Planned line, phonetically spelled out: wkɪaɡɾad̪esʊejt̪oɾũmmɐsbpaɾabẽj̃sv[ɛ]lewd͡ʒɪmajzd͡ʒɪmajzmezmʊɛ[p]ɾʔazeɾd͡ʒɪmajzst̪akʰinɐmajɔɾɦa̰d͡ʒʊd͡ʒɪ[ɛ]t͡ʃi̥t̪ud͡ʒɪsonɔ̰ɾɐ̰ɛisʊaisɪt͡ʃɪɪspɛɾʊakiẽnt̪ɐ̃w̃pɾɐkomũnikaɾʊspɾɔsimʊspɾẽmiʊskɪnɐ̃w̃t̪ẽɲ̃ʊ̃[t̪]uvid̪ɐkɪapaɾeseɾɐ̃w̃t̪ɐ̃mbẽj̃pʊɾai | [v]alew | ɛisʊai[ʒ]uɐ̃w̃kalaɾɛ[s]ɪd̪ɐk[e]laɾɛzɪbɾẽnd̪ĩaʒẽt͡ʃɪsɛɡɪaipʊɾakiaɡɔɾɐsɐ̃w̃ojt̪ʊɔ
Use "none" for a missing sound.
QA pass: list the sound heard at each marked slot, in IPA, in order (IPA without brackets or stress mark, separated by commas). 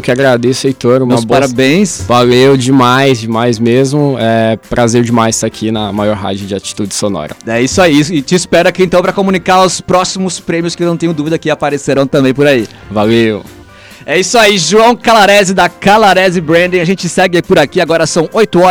a, p, a, d̪, v, ʒ, z, a